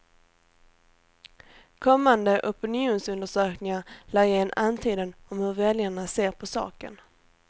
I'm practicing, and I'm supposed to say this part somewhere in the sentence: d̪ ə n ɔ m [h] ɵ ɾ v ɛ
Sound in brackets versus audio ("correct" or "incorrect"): correct